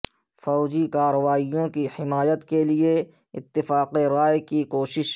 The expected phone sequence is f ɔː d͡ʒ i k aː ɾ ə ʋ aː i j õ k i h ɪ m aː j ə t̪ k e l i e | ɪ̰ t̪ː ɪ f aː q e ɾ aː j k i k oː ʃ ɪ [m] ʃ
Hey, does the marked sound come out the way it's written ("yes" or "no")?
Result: no